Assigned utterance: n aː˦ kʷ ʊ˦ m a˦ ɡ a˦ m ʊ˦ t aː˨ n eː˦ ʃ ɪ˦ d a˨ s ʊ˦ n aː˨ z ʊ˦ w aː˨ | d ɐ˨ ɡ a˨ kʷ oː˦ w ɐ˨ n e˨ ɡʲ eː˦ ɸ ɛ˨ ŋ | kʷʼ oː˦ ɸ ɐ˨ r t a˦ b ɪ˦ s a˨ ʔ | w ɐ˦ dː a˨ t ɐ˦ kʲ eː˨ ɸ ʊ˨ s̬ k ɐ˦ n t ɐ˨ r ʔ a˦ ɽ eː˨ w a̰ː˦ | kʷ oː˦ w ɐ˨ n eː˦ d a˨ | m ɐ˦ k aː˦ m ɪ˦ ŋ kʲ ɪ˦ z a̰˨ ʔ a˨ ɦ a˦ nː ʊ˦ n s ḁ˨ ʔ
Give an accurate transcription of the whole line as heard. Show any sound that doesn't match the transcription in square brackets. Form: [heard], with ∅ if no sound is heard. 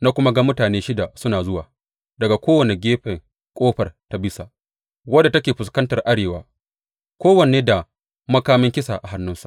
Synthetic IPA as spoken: n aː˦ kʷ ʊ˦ m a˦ ɡ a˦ m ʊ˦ t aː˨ n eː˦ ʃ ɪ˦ d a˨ s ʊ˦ n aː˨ z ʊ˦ w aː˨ | d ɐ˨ ɡ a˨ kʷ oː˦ w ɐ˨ n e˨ ɡʲ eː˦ ɸ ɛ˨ ŋ | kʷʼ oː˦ ɸ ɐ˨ r t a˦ b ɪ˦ s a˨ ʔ | w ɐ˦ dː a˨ t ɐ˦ kʲ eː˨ ɸ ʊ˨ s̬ k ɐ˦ n t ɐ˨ r ʔ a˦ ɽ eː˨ w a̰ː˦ | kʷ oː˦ w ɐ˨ n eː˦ d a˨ | m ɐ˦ k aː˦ m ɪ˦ ŋ kʲ ɪ˦ [s] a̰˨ ʔ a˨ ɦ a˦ nː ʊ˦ n s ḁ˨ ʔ